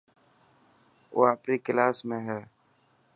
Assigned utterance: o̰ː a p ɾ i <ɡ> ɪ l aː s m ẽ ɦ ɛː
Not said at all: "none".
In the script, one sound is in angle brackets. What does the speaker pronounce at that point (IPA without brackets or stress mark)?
k